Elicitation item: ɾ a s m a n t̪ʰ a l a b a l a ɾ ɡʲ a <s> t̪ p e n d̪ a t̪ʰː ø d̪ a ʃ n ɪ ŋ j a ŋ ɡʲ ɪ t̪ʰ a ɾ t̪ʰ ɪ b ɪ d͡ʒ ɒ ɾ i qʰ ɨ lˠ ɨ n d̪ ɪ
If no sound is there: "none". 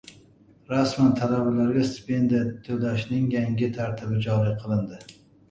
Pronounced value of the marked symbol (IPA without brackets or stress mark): s